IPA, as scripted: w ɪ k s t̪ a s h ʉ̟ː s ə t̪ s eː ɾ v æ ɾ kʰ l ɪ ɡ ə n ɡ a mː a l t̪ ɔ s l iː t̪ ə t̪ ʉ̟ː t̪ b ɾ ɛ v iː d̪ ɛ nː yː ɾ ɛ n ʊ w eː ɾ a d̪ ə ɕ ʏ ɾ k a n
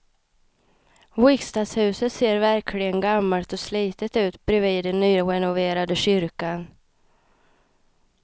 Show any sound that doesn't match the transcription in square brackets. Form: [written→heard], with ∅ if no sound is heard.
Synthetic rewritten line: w ɪ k s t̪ a s h ʉ̟ː s ə t̪ s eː ɾ v æ ɾ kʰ l ɪ ɡ ə n ɡ a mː a l t̪ ɔ s l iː t̪ ə t̪ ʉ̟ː t̪ b ɾ ɛ v iː d̪ ɛ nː yː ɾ ɛ n ʊ [w→v] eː ɾ a d̪ ə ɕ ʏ ɾ k a n